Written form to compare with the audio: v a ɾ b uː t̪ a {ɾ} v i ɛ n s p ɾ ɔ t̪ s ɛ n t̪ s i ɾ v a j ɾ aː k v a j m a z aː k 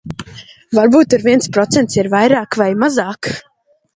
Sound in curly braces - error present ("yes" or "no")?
no